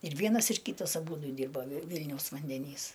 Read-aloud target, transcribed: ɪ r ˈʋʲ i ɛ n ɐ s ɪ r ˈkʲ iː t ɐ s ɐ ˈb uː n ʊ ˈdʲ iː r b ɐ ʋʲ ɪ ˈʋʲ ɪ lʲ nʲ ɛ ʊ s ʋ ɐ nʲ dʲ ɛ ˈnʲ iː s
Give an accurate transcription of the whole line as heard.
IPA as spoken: ɪ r ˈʋʲ i ɛ n ɐ s ɪ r ˈkʲ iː t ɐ s ɐ ˈb uː d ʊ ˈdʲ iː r b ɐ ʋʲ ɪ ˈʋʲ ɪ lʲ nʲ ɛ ʊ s ʋ ɐ nʲ dʲ ɛ ˈnʲ iː s

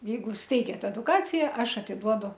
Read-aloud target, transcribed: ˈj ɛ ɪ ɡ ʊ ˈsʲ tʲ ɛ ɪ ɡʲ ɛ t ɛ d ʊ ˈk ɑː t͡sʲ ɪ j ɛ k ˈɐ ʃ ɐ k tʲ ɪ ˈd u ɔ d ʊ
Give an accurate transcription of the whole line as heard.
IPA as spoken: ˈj ɛ ɪ ɡ ʊ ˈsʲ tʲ ɛ ɪ ɡʲ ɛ t ɛ d ʊ ˈk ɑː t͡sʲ ɪ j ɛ ˈɐ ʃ ɐ tʲ ɪ ˈd u ɔ d ʊ

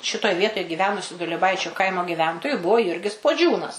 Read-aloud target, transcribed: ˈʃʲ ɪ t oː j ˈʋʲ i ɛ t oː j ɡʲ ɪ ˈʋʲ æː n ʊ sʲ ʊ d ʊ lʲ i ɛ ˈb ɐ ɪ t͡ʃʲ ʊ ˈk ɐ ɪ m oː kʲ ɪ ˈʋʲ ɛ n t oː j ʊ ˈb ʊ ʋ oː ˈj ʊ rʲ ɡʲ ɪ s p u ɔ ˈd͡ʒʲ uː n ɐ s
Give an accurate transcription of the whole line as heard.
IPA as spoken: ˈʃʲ ɪ t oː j ˈʋʲ i ɛ t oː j ɡʲ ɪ ˈʋʲ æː n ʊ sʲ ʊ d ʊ lʲ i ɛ ˈb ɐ ɪ t͡ʃʲ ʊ ˈk ɐ ɪ m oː ɡʲ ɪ ˈʋʲ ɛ n t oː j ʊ ˈb ʊ ʋ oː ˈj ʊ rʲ ɡʲ ɪ s p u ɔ ˈd͡ʒʲ uː n ɐ s

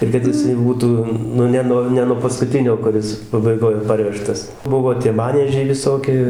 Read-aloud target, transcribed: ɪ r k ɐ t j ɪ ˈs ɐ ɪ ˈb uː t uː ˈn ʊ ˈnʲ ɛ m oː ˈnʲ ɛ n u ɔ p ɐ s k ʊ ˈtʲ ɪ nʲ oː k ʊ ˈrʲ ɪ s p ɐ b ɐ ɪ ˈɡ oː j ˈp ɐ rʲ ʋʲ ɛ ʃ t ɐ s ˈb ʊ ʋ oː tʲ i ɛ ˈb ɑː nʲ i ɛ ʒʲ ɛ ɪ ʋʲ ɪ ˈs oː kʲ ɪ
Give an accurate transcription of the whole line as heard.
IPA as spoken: ɪ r k ɐ t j ɪ ˈs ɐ ɪ ˈb uː t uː ˈn ʊ ˈnʲ ɛ n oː ˈnʲ ɛ n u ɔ p ɐ s k ʊ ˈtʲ ɪ nʲ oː k ʊ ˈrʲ ɪ s p ɐ b ɐ ɪ ˈɡ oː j ˈp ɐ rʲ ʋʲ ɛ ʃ t ɐ s ˈb ʊ ʋ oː tʲ i ɛ ˈm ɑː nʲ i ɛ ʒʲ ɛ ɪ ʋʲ ɪ ˈs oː kʲ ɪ

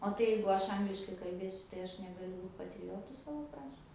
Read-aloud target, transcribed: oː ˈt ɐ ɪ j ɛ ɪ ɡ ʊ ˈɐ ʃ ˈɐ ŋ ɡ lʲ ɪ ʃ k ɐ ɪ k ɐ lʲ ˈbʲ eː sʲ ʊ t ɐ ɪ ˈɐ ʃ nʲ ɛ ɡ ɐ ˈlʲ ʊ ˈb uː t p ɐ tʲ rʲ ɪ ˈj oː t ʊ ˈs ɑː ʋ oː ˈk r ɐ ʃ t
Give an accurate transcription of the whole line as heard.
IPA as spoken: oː ˈt ɐ ɪ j ɛ ɪ ɡ ʊ ˈɐ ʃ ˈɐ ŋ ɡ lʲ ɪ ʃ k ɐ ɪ k ɐ lʲ ˈbʲ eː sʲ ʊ t ɐ ɪ ˈɐ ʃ nʲ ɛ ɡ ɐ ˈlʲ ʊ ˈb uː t p ɐ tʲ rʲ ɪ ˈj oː t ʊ ˈs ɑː ʋ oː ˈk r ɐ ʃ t

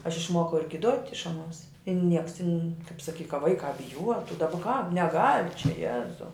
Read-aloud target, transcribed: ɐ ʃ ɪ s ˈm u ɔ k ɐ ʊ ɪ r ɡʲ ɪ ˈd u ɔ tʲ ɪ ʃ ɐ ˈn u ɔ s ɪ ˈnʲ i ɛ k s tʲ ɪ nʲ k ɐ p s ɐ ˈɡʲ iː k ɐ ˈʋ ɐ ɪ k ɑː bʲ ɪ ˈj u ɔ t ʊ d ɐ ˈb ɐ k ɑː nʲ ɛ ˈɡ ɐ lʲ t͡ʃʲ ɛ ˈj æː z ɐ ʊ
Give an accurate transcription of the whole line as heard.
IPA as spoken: ɐ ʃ ɪ ʃ ˈm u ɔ k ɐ ʊ ɪ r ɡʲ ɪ ˈd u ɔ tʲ ɪ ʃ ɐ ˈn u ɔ s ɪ ˈnʲ i ɛ k s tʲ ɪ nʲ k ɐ p s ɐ ˈkʲ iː k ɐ ˈʋ ɐ ɪ k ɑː bʲ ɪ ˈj u ɔ t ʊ d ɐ ˈb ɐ k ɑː nʲ ɛ ˈɡ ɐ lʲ t͡ʃʲ ɛ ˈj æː z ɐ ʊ

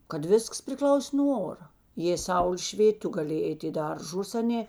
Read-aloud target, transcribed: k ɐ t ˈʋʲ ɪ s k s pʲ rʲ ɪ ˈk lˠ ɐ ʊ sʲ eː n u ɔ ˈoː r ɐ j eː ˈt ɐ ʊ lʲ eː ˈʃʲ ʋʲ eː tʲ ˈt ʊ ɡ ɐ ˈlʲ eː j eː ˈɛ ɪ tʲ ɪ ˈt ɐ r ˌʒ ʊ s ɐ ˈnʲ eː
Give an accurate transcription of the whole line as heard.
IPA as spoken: k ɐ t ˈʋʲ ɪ s k s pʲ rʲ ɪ ˈk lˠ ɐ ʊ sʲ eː n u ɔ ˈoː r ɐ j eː ˈs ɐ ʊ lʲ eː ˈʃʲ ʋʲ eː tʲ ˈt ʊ ɡ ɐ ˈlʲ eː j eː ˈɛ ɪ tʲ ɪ ˈd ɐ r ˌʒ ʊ s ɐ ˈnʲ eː

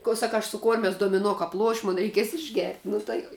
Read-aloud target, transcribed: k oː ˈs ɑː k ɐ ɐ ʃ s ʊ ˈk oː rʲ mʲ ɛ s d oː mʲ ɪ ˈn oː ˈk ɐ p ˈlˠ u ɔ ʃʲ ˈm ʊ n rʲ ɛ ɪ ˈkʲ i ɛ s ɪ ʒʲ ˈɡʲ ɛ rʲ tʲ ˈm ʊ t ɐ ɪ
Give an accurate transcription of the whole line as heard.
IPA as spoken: k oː ˈs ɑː k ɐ ɐ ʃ s ʊ ˈk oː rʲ mʲ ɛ s d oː mʲ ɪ ˈn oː ˈk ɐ p ˈlˠ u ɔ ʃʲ ˈm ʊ n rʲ ɛ ɪ ˈkʲ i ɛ s ɪ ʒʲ ˈɡʲ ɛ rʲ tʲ ˈn ʊ t ɐ ɪ

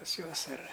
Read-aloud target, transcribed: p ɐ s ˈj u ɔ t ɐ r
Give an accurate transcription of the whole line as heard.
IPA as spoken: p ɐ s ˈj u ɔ s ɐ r

